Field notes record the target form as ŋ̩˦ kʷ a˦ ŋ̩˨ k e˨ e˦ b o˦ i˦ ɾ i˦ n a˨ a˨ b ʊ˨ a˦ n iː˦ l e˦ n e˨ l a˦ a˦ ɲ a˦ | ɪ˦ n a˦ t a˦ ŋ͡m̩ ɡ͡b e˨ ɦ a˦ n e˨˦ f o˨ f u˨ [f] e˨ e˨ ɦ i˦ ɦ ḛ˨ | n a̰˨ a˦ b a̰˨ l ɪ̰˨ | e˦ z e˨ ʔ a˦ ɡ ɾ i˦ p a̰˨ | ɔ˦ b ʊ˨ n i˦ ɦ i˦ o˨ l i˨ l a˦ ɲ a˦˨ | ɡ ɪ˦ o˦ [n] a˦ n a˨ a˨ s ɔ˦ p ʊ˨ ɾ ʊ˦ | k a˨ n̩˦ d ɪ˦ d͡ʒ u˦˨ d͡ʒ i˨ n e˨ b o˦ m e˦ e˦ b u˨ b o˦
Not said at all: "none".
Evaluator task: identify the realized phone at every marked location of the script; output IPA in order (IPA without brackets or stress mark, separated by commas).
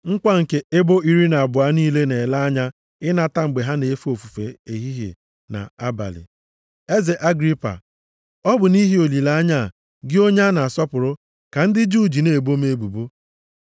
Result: f, ɲ